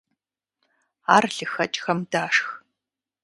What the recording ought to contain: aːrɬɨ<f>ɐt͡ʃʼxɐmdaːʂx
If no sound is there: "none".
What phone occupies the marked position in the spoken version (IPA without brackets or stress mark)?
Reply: x